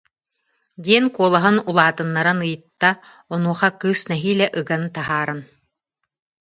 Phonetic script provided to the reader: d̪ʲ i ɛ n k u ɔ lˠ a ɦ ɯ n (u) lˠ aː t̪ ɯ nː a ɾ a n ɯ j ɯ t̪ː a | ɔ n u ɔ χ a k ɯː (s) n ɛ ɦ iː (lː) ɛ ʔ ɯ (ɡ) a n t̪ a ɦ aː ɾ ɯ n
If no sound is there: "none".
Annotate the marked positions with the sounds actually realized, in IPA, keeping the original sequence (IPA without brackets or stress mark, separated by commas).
u, s, l, ɡ